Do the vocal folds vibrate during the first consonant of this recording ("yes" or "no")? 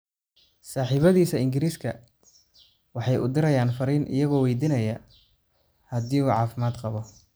no